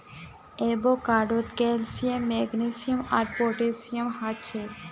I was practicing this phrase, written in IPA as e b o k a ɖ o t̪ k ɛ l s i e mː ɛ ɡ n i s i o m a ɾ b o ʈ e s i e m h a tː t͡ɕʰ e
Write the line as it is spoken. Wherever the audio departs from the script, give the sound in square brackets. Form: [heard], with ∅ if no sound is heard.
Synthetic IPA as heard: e b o k a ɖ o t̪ k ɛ l s i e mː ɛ ɡ n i s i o m a ɾ [p] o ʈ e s i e m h a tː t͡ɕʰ e

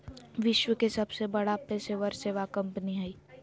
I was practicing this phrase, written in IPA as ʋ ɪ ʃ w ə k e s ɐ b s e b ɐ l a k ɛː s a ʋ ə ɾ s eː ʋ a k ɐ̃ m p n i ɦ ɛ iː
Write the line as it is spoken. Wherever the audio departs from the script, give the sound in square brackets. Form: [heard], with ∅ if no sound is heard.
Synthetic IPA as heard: ʋ ɪ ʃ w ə k e s ɐ b s e b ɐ [ɽ] a [p] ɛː s [e] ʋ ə ɾ s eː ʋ a k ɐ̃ m p n i ɦ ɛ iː

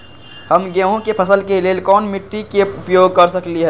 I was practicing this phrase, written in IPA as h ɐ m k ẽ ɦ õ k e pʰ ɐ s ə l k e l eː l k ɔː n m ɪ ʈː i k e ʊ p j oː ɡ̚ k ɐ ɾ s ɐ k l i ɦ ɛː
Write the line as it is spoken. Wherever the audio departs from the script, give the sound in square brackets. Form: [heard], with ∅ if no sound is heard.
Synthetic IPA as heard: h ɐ m [ɡ] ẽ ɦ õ k e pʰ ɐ s ə l k e l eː l k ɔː n m ɪ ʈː i k e ʊ p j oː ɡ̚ k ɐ ɾ s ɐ k l i ɦ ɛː

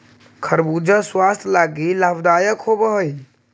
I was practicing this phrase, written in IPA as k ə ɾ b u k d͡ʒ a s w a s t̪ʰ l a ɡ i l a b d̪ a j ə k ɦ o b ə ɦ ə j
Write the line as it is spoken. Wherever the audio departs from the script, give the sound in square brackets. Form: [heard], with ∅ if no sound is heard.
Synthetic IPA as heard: [kʰ] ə ɾ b u [∅] d͡ʒ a s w a s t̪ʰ l a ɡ i l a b d̪ a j ə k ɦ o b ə ɦ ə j

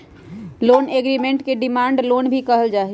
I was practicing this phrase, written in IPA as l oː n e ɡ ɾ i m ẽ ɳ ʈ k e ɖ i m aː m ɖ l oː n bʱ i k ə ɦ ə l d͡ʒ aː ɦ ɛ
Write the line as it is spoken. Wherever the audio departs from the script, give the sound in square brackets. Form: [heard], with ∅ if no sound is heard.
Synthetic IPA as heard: l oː n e ɡ ɾ i m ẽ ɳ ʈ k e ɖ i m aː [ɳ] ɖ l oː n bʱ i k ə ɦ ə l d͡ʒ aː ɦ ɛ

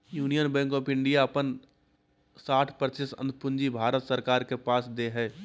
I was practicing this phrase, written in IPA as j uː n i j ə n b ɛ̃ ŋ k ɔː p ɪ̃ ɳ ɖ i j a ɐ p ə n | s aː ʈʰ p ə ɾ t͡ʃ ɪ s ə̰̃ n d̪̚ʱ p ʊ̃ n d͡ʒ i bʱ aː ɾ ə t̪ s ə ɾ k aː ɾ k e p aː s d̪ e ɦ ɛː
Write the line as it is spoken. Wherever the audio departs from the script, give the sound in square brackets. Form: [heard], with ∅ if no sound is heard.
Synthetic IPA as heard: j uː n i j ə n b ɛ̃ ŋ k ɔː p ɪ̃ ɳ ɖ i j a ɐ p ə n | s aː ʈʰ p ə ɾ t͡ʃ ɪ s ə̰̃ n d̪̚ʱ p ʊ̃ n d͡ʒ i bʱ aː ɾ ə t̪ s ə ɾ k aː ɾ k e p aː s d̪ e ɦ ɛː

